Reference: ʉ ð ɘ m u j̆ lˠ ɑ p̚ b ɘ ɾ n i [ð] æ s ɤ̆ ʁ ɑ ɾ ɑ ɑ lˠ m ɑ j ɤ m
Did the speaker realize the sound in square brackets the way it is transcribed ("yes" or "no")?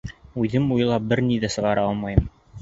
yes